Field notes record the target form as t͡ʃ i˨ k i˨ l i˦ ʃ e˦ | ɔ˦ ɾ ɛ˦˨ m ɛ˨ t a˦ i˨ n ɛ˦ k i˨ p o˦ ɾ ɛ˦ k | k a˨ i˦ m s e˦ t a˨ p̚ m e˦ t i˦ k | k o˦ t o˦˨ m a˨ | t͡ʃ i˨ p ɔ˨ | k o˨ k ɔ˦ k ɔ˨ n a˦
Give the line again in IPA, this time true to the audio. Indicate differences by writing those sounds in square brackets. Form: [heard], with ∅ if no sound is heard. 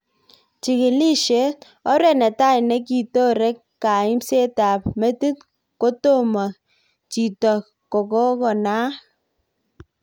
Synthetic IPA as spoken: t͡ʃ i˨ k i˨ l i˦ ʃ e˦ | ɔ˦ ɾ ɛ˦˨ [n] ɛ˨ t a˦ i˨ n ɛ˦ k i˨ [t] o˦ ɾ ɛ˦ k | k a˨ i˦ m s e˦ t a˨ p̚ m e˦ t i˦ [t] | k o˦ t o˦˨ m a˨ | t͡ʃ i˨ [t] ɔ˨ | k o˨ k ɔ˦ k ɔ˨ n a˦